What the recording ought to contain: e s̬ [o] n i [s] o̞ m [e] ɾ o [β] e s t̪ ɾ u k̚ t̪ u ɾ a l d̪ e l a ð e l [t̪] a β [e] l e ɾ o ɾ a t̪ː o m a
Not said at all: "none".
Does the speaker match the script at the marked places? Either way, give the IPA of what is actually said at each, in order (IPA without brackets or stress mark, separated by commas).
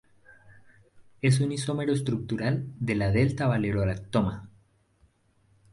u, s, e, none, t̪, a